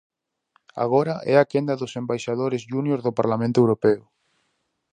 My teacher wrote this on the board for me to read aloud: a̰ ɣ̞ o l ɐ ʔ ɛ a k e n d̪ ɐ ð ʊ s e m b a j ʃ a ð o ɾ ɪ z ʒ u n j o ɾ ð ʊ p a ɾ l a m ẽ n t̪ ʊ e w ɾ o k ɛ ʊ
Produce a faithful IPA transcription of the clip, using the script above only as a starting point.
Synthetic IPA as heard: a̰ ɣ̞ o ɾ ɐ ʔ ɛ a k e n d̪ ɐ ð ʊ s e m b a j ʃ a ð o ɾ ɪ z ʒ u n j o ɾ ð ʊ p a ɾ l a m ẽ n t̪ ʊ e w ɾ o p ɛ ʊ